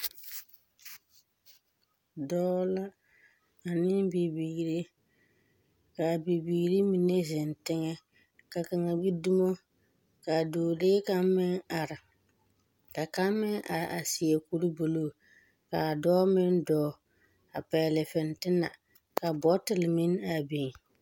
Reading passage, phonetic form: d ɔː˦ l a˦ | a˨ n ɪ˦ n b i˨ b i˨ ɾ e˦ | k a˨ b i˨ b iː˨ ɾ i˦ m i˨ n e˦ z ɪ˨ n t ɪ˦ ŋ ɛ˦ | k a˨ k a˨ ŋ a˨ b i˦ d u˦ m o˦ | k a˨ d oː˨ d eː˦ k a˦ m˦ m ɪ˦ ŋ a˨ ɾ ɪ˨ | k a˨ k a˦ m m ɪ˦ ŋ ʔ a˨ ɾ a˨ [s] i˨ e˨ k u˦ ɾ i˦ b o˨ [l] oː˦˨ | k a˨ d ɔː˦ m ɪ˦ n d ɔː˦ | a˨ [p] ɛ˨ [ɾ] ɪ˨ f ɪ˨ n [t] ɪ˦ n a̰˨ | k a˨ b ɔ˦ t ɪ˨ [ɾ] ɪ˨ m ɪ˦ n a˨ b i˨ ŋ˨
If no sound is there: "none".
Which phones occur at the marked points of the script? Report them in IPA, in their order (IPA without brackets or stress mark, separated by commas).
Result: s, l, p, l, t, l